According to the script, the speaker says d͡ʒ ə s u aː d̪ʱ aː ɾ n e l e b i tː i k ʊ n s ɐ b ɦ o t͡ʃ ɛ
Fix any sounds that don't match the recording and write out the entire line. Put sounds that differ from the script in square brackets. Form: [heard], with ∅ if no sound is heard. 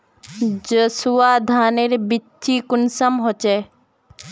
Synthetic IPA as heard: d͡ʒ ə s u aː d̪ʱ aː [∅] n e [ɾ] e b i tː i k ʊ n s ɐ [m] ɦ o t͡ʃ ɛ